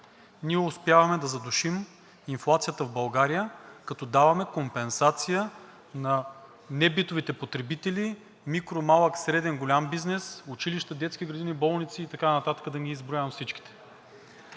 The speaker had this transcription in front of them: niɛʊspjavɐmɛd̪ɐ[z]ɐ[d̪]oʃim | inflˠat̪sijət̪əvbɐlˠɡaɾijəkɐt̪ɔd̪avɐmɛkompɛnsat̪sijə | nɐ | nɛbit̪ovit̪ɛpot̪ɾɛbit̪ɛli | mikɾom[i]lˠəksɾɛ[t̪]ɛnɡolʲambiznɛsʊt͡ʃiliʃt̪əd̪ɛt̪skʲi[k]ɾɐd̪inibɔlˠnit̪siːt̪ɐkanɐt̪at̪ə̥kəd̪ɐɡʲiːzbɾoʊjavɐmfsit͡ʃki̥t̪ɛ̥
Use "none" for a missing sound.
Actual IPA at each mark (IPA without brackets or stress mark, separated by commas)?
z, d̪, a, d̪, ɡ